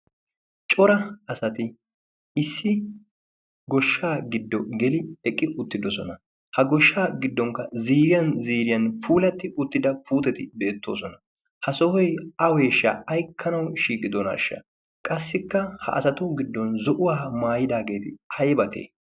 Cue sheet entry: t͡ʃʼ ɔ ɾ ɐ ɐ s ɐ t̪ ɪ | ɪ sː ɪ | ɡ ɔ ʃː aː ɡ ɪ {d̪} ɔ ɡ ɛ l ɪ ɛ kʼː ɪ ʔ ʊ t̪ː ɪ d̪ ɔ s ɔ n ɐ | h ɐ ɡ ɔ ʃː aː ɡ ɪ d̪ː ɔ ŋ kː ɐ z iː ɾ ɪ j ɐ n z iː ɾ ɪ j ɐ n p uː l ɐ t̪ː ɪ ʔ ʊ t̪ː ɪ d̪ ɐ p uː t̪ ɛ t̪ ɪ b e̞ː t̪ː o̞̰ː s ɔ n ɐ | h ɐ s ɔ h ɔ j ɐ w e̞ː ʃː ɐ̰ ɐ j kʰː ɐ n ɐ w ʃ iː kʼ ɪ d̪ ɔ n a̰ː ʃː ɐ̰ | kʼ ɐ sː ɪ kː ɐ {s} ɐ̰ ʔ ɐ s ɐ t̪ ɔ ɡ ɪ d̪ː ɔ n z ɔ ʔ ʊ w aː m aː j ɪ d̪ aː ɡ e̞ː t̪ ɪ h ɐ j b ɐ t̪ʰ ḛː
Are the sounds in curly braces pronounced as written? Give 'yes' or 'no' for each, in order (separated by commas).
no, no